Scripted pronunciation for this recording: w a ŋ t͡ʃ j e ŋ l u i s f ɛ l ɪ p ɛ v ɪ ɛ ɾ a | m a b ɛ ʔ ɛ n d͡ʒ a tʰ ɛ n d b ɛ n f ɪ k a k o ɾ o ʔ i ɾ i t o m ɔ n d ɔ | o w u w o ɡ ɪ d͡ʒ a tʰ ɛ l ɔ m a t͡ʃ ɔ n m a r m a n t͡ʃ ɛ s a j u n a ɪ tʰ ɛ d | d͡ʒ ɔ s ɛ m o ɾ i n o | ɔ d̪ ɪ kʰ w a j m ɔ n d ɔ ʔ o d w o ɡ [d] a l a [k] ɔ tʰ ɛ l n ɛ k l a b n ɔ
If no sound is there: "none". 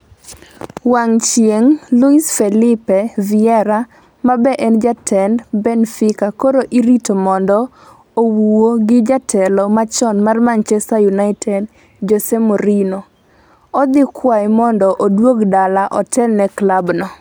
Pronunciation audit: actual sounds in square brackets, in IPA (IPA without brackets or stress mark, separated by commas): d, ʔ